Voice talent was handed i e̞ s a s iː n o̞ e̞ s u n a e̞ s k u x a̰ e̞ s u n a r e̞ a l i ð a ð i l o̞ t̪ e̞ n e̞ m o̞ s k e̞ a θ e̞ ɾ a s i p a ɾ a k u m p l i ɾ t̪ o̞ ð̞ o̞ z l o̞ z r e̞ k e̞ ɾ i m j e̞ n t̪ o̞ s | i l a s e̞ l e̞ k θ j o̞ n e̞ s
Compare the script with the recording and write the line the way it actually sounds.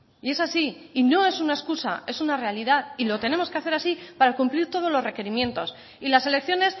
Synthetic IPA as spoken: i e̞ s a s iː n o̞ e̞ s u n a e̞ s k u s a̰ e̞ s u n a r e̞ a l i ð a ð i l o̞ t̪ e̞ n e̞ m o̞ s k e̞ a θ e̞ ɾ a s i p a ɾ a k u m p l i ɾ t̪ o̞ ð̞ o̞ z l o̞ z r e̞ k e̞ ɾ i m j e̞ n t̪ o̞ s | i l a s e̞ l e̞ k θ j o̞ n e̞ s